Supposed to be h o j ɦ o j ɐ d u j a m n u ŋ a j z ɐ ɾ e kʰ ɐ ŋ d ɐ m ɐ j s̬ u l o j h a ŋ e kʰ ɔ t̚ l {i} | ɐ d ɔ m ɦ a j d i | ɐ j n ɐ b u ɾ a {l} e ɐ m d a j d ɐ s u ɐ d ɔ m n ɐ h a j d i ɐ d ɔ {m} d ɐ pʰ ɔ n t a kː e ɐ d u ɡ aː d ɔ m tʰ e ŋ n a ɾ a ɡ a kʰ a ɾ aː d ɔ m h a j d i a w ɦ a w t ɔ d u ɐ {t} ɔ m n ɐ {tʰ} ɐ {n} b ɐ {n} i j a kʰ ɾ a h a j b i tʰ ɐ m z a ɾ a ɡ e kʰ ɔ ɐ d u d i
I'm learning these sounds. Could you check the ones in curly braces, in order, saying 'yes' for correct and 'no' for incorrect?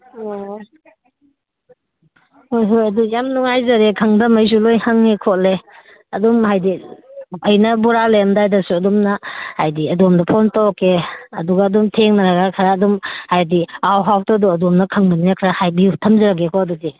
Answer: no, yes, yes, no, no, no, yes

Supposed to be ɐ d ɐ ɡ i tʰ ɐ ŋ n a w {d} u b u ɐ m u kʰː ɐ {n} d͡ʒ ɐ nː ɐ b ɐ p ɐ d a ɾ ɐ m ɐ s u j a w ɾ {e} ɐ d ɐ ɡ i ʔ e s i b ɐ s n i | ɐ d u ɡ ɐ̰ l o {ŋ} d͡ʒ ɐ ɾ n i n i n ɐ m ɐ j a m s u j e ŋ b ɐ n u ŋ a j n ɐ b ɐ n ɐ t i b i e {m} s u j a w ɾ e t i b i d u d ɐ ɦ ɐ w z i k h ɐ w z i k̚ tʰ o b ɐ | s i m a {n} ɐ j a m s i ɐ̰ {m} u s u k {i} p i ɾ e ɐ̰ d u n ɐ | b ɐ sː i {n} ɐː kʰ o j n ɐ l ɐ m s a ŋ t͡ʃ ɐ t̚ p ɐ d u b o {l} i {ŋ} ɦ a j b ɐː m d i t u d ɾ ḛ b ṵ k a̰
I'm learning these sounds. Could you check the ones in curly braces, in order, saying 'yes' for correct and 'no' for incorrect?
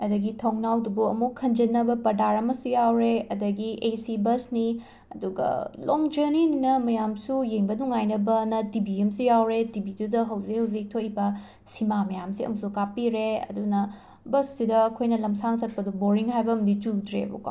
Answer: yes, yes, yes, yes, yes, no, yes, no, no, no, yes

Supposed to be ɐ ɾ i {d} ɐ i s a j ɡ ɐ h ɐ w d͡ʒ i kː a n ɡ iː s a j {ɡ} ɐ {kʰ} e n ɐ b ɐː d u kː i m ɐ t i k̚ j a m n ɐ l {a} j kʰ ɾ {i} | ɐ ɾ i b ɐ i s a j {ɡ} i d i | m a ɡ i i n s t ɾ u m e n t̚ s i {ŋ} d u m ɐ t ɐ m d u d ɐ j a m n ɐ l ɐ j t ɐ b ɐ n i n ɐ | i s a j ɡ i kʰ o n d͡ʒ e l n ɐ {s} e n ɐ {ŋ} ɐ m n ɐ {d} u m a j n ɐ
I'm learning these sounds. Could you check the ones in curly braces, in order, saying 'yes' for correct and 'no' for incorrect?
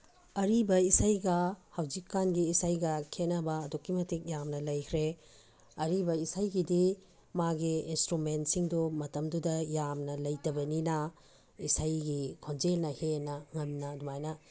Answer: no, yes, yes, no, no, yes, yes, no, yes, yes

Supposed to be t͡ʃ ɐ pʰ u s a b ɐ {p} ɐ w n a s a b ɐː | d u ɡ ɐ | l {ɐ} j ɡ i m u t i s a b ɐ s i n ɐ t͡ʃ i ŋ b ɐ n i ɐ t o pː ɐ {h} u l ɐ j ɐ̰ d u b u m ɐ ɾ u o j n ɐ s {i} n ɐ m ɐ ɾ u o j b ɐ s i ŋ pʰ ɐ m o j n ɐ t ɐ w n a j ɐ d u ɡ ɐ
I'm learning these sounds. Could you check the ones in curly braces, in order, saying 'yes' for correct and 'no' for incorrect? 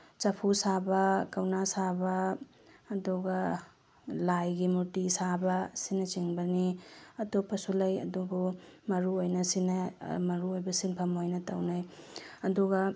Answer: no, no, no, yes

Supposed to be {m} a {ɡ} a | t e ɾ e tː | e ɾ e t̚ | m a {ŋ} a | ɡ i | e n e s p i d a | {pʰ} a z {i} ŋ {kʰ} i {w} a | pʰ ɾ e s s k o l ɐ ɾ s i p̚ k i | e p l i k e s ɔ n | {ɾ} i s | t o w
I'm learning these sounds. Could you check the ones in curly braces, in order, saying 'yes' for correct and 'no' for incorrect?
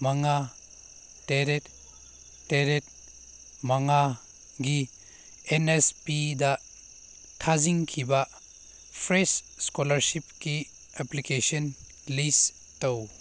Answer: yes, no, yes, no, yes, yes, no, no

